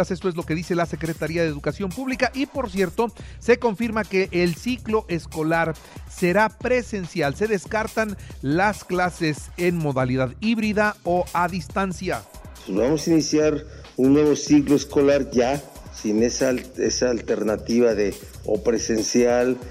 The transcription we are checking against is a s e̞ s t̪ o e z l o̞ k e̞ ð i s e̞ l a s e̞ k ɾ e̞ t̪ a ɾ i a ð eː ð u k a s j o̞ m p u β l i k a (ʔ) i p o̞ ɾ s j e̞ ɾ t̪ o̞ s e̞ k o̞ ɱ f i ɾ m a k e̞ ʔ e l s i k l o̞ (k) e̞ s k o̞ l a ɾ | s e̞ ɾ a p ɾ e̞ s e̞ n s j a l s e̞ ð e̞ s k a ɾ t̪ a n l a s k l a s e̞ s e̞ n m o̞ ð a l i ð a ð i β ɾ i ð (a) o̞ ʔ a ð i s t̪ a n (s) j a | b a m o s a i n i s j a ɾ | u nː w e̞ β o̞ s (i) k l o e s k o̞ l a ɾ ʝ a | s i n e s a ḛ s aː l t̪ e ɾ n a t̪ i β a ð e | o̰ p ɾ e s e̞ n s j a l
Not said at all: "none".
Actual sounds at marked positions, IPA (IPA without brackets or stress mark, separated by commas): ʔ, ʔ, a, s, i